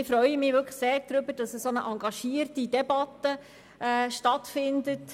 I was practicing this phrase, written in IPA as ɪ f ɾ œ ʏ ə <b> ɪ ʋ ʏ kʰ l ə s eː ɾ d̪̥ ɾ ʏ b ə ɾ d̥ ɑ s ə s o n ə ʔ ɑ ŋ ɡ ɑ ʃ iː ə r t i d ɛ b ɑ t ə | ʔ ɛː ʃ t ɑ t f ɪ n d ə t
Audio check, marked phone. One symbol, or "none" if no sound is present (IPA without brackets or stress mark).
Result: m